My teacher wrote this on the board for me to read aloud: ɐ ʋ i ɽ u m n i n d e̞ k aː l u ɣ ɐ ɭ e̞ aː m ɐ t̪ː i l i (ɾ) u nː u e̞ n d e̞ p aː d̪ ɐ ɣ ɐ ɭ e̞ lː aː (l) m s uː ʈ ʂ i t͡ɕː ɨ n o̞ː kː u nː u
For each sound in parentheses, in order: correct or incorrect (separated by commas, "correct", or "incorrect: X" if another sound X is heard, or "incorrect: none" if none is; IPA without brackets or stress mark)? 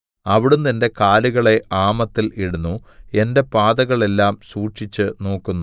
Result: incorrect: ɽ, incorrect: none